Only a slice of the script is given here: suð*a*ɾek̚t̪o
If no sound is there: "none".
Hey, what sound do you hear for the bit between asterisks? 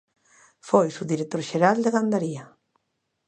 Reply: i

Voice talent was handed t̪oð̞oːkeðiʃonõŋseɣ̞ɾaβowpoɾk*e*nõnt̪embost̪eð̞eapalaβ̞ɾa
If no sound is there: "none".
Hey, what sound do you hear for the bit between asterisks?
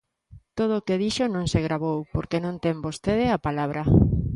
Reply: e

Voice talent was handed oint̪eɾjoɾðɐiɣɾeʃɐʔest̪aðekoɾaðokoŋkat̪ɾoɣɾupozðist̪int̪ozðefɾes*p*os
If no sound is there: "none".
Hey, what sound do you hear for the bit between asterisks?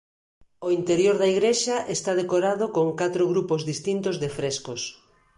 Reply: k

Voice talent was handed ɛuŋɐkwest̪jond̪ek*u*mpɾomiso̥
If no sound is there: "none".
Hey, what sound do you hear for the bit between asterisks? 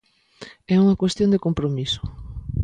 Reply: o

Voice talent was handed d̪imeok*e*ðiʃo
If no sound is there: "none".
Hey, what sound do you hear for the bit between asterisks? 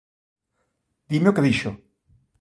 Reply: e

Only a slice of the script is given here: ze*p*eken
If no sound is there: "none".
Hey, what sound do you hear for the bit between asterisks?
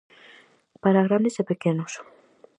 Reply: p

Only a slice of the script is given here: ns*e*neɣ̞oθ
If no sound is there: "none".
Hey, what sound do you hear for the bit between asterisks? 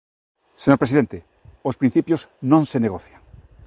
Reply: e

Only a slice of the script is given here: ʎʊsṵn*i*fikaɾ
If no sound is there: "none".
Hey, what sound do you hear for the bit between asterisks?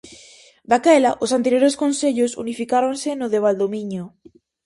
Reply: i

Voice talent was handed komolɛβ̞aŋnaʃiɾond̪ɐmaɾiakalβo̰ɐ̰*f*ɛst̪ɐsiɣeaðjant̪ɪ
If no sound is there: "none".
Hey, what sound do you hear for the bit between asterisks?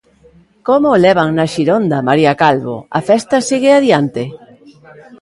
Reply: f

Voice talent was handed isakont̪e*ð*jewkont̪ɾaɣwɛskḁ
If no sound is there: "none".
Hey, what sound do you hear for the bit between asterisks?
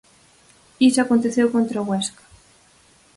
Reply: θ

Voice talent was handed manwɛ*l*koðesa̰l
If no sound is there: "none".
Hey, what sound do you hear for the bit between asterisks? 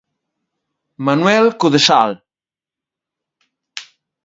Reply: l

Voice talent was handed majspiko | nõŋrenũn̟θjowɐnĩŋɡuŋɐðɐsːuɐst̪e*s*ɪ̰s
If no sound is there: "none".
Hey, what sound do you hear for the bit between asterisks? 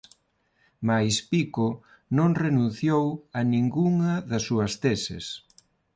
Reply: s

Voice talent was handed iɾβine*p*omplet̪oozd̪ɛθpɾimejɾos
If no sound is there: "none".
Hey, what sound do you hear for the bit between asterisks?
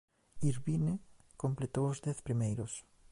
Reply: k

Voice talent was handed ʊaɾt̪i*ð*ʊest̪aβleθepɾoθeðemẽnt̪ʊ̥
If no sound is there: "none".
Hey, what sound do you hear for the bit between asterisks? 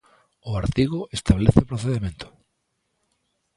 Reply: ɣ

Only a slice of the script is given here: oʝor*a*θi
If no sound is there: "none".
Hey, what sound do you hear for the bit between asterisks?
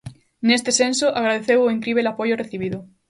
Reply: e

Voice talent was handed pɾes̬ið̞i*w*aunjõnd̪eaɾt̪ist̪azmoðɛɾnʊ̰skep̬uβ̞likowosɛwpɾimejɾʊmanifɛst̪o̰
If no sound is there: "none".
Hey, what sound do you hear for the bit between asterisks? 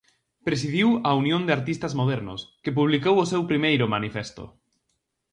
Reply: w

